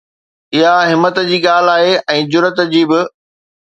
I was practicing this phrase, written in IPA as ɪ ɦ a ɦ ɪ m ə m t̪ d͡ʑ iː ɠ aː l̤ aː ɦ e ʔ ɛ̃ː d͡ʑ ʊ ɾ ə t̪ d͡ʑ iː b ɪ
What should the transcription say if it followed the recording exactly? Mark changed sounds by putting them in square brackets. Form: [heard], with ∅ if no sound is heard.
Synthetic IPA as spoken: ɪ ɦ a ɦ ɪ m ə [∅] t̪ d͡ʑ iː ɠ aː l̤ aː ɦ e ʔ ɛ̃ː d͡ʑ ʊ ɾ ə t̪ d͡ʑ iː b ɪ